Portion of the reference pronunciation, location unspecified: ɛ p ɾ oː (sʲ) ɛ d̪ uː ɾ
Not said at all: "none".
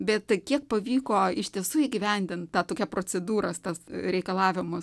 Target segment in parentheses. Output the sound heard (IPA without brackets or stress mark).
t͡sʲ